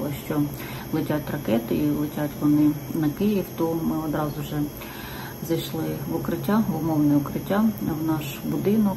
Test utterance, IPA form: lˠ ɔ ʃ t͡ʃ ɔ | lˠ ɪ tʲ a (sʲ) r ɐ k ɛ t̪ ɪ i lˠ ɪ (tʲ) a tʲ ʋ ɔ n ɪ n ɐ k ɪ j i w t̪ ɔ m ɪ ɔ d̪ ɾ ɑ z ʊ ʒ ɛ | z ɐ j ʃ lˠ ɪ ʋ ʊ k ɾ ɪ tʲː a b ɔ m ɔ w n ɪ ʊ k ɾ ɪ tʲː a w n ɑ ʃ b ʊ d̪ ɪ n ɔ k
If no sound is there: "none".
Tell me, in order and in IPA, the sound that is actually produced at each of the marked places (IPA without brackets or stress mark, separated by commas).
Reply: tʲ, tʲ